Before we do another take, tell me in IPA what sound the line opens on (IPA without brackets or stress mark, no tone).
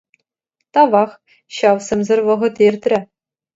t̪